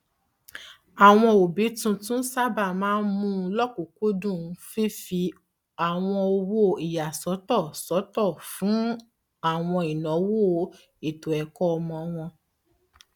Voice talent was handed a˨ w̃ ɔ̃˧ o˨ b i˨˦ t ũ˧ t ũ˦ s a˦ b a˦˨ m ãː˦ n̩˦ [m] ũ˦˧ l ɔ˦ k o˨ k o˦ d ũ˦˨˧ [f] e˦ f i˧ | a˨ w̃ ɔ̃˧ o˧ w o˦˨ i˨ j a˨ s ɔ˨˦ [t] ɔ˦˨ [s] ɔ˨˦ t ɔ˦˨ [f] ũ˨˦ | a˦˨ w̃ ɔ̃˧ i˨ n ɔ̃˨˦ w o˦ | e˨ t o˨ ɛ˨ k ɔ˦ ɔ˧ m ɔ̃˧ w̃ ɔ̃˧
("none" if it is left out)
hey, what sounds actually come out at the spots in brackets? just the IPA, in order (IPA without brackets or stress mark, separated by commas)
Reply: m, f, t, s, f